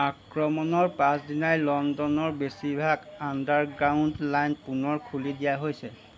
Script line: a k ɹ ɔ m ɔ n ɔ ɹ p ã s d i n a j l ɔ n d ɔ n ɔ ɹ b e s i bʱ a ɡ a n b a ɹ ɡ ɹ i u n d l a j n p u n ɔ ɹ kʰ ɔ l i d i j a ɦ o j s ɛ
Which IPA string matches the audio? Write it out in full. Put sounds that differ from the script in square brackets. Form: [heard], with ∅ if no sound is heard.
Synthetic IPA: a k ɹ ɔ m ɔ n ɔ ɹ p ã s d i n a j l ɔ n d ɔ n ɔ ɹ b e s i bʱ a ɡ a n [d] a ɹ ɡ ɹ [a] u n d l a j n p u n ɔ ɹ kʰ [u] l i d i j a ɦ o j s ɛ